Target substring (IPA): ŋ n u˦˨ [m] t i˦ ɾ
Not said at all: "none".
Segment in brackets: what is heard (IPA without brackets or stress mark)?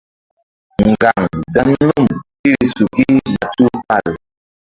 m